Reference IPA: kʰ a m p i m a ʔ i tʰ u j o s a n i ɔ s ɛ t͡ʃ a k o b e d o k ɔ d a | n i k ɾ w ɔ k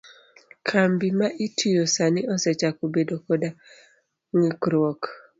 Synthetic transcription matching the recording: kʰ a m b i m a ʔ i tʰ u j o s a n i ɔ s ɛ t͡ʃ a k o b e d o k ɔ d a | ŋ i k ɾ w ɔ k